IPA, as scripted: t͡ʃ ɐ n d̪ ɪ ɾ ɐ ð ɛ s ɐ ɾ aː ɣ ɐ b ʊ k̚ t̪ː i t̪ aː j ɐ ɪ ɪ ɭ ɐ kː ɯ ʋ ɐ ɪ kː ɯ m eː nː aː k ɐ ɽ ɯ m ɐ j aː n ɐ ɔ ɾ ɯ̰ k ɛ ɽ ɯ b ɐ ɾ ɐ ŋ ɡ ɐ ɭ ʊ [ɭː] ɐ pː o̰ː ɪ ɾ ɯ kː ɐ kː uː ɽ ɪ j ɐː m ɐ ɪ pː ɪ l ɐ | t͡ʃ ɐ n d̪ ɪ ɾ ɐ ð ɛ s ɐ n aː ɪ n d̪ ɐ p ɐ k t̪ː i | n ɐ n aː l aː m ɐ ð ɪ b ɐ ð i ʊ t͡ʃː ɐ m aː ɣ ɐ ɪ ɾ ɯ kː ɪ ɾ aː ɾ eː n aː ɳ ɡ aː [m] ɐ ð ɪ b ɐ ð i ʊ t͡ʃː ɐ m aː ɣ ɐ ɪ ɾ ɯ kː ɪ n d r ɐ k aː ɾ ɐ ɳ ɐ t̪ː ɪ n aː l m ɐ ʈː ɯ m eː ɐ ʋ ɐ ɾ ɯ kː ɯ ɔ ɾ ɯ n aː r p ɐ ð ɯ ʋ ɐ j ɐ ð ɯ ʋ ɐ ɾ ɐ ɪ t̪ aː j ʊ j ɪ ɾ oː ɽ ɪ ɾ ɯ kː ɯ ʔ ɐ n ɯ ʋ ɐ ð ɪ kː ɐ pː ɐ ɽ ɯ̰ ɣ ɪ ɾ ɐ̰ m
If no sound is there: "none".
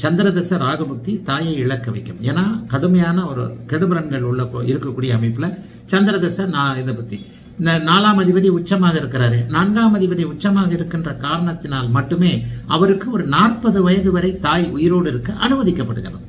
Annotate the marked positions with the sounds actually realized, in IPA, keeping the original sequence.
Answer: ɭː, m

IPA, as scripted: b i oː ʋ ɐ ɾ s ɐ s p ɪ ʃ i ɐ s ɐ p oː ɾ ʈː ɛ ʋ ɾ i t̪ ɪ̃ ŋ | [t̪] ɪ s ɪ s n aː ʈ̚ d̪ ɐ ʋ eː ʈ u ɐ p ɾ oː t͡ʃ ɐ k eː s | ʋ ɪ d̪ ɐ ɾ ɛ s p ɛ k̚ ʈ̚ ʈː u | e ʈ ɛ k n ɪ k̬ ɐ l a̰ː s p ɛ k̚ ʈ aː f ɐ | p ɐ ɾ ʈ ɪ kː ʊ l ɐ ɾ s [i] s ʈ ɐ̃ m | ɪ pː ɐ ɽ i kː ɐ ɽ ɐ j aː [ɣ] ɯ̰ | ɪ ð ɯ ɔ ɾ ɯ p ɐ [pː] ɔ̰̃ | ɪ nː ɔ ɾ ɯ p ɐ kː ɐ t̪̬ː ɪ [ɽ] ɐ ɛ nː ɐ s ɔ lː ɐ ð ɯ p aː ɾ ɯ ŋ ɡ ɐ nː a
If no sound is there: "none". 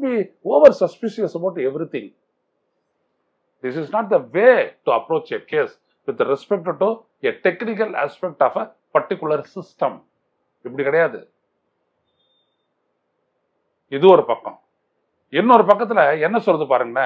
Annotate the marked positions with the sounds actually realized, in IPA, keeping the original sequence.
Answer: d̪, ɪ, ð, kː, l

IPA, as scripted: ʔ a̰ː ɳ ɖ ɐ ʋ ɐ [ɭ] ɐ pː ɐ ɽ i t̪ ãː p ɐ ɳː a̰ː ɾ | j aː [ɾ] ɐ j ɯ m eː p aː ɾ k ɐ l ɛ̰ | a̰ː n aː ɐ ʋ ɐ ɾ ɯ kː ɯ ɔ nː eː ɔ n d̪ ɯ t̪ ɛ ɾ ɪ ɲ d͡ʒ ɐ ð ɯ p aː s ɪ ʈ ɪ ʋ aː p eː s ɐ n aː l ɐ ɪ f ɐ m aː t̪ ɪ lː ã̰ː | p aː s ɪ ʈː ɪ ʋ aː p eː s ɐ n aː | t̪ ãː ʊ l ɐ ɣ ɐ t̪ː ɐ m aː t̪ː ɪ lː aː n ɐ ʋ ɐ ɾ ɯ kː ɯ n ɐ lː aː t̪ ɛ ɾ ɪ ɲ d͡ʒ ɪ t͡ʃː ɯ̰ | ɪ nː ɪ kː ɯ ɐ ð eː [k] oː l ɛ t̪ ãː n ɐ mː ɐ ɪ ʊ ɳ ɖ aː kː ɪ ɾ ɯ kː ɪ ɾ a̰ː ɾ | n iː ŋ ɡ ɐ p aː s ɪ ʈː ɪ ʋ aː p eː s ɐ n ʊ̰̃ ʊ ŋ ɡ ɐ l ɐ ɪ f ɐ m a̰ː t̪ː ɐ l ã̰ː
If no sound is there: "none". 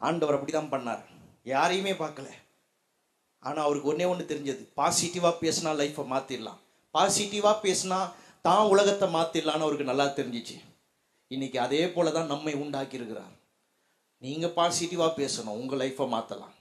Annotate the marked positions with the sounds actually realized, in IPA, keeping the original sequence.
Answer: ɾ, ɾ, p

